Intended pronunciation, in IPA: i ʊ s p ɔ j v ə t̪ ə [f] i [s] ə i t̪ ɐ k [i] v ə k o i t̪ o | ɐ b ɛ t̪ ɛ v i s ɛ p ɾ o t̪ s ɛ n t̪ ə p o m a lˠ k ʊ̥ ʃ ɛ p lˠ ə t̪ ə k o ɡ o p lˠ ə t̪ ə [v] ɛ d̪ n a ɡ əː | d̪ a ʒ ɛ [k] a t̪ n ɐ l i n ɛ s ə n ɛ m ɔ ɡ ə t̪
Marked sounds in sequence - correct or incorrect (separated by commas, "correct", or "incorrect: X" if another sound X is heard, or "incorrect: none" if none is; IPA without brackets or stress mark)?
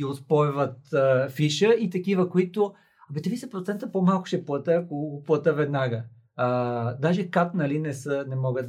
correct, incorrect: ʃ, correct, correct, correct